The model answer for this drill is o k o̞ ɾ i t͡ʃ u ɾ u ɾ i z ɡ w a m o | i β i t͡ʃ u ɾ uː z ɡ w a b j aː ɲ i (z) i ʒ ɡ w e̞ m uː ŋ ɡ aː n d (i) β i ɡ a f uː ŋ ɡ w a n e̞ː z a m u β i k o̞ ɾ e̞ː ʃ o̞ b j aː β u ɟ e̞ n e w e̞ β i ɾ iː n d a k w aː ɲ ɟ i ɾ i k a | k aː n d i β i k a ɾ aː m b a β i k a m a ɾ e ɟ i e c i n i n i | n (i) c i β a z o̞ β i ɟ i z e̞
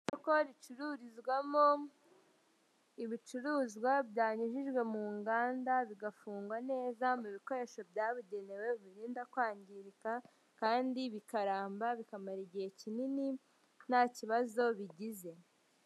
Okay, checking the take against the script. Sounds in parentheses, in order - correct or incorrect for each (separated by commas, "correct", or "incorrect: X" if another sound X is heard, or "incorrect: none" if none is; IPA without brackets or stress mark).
incorrect: ʒ, incorrect: a, incorrect: a